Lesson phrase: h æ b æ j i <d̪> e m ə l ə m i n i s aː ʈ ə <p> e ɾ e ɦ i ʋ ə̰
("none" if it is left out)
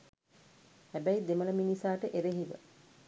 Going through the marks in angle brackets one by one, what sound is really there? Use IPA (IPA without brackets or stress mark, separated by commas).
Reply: d̪, ʔ